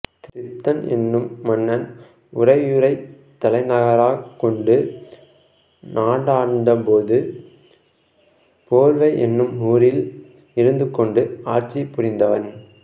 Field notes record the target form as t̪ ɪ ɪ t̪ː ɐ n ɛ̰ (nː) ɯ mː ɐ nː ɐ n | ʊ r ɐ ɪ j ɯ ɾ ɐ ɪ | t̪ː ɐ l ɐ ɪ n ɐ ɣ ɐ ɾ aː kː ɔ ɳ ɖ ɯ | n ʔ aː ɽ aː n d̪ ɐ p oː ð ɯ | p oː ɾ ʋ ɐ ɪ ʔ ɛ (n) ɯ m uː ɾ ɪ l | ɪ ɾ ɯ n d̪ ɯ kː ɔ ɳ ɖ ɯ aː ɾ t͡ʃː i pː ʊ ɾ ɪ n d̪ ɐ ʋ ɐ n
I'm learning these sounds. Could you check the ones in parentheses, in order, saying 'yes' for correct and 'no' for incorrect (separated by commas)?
yes, no